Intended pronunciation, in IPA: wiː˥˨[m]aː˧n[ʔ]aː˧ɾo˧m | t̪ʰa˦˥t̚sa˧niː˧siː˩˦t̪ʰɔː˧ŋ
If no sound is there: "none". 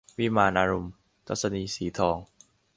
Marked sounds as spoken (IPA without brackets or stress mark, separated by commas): m, ʔ